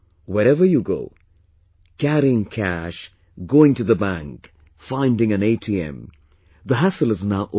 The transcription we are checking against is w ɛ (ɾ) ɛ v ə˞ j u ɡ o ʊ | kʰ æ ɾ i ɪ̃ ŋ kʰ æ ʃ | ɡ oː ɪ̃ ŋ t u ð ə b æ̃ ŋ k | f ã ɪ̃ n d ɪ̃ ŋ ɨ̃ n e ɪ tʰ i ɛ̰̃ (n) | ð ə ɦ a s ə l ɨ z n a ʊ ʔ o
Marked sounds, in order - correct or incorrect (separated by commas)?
correct, incorrect